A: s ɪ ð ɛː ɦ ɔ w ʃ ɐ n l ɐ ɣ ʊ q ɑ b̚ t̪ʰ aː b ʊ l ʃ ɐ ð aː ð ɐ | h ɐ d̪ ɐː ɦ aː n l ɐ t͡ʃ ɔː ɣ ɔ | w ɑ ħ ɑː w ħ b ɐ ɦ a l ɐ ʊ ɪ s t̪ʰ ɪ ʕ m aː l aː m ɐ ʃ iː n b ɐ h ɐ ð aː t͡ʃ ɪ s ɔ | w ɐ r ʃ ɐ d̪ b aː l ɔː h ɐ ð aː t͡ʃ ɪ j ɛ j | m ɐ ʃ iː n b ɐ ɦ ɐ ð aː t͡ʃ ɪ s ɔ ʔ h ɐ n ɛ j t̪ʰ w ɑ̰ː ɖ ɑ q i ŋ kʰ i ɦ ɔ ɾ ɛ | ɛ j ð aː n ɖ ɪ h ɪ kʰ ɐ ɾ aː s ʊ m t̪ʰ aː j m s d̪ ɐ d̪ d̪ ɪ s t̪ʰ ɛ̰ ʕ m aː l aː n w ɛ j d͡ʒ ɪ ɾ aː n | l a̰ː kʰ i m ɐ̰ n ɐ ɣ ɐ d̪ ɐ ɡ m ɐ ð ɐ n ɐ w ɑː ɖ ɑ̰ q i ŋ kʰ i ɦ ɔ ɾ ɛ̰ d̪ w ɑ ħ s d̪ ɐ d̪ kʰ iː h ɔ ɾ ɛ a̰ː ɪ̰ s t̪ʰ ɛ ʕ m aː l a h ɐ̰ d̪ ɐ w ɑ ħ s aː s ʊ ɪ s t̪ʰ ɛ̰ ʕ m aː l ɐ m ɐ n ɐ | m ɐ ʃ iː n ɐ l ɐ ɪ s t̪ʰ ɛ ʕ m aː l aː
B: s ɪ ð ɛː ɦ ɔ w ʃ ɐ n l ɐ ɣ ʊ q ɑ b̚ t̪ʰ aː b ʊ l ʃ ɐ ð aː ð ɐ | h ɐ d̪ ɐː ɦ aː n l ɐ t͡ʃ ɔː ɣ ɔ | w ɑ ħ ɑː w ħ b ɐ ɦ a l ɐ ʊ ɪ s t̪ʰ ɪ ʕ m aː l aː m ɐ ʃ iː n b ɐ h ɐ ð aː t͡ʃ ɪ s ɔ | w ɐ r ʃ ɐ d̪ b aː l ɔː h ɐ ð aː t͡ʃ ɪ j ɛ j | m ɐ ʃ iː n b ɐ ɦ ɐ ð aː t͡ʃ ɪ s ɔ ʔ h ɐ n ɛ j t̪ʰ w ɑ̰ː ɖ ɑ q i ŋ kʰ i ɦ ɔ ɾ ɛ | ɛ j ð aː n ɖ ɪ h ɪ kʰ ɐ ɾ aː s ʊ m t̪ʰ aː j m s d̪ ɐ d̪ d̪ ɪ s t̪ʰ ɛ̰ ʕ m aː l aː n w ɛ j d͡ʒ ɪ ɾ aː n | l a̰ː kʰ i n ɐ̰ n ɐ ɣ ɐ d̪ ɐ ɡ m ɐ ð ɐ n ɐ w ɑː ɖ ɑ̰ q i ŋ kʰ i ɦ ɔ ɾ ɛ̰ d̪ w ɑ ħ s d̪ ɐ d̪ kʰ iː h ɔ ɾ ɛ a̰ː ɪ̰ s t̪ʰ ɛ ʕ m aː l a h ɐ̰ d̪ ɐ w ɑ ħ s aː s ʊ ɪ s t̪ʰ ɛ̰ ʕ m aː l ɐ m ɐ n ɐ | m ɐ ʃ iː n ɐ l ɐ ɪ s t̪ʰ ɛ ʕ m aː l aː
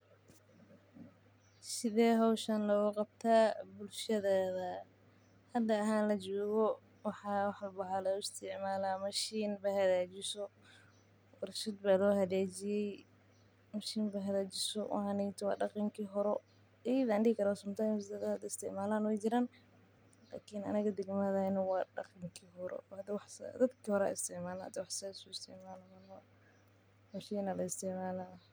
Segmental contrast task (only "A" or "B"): B